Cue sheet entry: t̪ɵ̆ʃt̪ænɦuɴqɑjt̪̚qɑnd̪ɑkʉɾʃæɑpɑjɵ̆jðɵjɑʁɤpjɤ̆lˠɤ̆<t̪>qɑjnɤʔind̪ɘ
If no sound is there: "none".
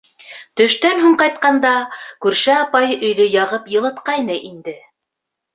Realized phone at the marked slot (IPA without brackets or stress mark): t̪